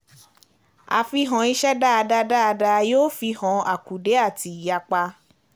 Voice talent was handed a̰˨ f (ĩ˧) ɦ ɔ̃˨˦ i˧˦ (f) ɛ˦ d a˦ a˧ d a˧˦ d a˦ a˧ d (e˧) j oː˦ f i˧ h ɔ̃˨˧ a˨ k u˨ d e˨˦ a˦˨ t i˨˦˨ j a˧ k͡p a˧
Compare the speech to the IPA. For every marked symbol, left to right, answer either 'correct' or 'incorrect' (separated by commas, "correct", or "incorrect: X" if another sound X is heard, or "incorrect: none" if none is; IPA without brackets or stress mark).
incorrect: i˧, incorrect: ʃ, incorrect: a˧